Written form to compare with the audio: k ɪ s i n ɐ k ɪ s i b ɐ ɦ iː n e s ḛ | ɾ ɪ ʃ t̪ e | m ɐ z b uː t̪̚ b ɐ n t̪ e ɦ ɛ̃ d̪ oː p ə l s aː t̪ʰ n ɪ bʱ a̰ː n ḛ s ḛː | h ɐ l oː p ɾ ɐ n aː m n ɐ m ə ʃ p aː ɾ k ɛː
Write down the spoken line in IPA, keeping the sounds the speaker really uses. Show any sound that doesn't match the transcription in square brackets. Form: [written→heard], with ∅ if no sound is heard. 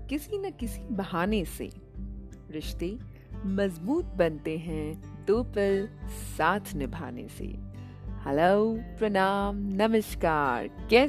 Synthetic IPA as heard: k ɪ s i n ɐ k ɪ s i b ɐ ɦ [iː→aː] n e s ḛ | ɾ ɪ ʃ t̪ e | m ɐ z b uː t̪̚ b ɐ n t̪ e ɦ ɛ̃ d̪ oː p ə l s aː t̪ʰ n ɪ bʱ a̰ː n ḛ s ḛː | h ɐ l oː p ɾ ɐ n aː m n ɐ m ə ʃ [p→k] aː ɾ k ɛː